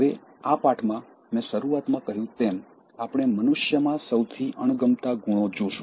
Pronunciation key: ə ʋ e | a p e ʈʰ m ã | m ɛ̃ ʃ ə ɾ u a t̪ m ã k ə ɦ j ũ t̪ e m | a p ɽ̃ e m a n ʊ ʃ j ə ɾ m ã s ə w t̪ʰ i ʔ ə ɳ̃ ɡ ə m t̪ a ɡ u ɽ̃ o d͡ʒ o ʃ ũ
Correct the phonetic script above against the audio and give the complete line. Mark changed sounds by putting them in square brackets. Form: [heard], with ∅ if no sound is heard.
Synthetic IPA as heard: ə ʋ e | a p [a] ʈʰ m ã | m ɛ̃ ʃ ə ɾ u a t̪ m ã k ə ɦ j ũ t̪ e m | a p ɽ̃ e m [ə] n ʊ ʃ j ə [∅] m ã s ə w t̪ʰ i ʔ ə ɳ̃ ɡ ə m t̪ a ɡ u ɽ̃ o d͡ʒ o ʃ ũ